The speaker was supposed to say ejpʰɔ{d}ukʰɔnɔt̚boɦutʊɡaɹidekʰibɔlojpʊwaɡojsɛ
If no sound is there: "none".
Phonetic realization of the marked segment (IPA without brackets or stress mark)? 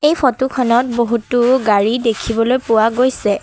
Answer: t